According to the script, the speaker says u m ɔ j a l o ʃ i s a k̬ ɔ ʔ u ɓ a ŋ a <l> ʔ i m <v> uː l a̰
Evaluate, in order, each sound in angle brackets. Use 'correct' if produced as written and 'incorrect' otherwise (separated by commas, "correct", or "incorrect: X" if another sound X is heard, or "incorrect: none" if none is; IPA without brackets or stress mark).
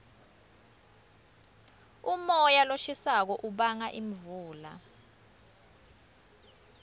incorrect: none, correct